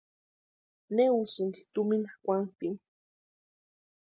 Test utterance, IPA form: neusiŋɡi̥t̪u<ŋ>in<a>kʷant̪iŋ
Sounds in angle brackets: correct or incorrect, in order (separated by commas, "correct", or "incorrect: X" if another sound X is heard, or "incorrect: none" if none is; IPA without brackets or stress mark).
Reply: incorrect: m, correct